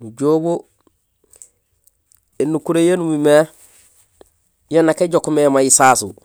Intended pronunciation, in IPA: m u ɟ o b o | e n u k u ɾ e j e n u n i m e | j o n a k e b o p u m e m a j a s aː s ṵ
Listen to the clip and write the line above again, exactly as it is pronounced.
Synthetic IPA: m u ɟ o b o | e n u k u ɾ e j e n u m i m e | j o n a k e ɟ o k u m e m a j i s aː s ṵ

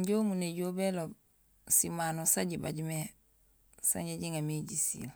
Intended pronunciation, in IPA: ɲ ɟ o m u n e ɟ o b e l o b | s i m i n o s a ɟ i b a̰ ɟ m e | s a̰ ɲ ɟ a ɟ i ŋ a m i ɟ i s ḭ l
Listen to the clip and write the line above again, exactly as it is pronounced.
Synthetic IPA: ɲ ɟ o m u n e ɟ o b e l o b | s i m a n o s a ɟ i b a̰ ɟ m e | s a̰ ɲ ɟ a ɟ i ŋ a m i ɟ i s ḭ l

